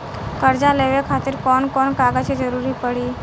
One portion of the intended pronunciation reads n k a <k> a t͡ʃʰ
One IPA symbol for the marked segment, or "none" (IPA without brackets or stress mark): ɡ